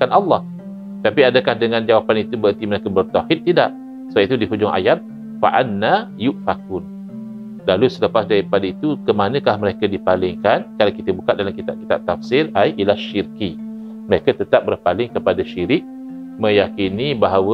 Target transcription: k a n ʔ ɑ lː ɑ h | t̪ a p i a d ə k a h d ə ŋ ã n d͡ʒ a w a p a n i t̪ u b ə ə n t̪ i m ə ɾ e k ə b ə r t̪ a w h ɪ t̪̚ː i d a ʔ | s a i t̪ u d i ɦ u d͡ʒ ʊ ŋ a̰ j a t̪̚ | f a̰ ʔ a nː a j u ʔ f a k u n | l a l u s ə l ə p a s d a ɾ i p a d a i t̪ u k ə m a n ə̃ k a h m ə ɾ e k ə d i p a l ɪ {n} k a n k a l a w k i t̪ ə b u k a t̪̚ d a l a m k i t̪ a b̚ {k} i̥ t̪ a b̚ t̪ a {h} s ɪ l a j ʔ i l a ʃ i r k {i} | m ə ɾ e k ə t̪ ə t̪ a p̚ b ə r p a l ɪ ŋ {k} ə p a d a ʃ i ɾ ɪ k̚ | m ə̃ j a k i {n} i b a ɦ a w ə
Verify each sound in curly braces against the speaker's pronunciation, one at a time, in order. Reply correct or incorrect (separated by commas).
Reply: incorrect, correct, incorrect, correct, correct, correct